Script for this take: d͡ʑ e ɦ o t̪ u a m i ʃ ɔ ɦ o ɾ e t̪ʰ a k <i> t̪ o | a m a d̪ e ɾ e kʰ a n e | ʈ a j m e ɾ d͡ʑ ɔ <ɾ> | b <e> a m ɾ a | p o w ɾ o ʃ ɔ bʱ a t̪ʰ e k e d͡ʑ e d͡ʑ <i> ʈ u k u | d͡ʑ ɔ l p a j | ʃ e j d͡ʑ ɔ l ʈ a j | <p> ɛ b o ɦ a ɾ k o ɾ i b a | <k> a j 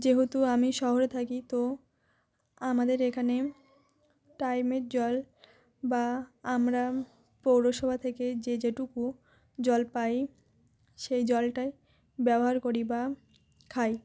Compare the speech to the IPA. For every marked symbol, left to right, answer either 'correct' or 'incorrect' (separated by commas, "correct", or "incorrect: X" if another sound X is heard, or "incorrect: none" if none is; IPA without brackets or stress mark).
correct, incorrect: l, incorrect: a, incorrect: e, incorrect: b, incorrect: kʰ